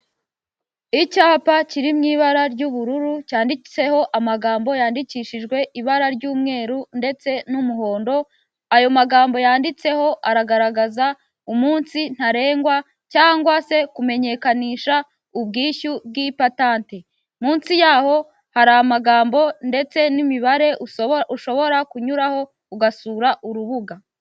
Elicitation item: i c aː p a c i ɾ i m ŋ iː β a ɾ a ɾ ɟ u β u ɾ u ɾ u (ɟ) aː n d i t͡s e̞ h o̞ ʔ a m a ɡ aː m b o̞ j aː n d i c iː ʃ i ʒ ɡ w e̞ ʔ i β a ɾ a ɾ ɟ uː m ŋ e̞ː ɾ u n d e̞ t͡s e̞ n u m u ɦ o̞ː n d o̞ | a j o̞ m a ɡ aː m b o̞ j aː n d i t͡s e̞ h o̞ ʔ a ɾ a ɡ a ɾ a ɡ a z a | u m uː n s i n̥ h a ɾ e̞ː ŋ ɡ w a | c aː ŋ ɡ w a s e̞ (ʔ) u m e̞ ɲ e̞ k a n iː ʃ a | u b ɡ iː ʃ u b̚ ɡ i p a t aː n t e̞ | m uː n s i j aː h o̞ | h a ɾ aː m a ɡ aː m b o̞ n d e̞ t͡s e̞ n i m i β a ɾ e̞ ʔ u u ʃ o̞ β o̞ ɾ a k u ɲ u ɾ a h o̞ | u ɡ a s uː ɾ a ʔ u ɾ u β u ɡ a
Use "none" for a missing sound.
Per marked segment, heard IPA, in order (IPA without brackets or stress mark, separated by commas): c, k